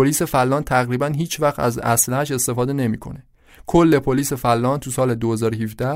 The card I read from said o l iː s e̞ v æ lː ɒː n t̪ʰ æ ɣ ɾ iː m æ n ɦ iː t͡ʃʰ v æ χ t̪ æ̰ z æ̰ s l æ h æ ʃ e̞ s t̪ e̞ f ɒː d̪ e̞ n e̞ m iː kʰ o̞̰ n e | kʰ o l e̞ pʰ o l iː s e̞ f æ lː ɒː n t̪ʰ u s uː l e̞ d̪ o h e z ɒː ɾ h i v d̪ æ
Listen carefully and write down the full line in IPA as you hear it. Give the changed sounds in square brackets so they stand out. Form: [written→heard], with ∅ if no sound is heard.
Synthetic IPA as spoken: o l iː s e̞ [v→f] æ lː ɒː n t̪ʰ æ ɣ ɾ iː [m→b] æ n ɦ iː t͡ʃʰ v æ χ t̪ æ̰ z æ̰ s l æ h æ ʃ e̞ s t̪ e̞ f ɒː d̪ e̞ n e̞ m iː kʰ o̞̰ n e | kʰ o [l→lː] e̞ pʰ o l iː s e̞ f æ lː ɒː n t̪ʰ u s [uː→ɒː] l e̞ d̪ o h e z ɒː ɾ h i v d̪ æ